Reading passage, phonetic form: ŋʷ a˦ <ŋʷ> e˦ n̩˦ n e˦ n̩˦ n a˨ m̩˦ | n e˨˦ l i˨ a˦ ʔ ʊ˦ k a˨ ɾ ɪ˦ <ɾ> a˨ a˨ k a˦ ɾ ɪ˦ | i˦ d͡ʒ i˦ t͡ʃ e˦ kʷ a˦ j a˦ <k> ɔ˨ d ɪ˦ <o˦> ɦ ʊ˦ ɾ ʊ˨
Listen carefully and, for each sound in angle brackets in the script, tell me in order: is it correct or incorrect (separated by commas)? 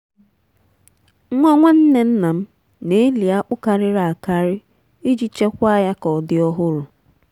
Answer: correct, correct, correct, incorrect